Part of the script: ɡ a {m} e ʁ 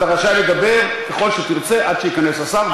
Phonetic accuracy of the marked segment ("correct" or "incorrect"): incorrect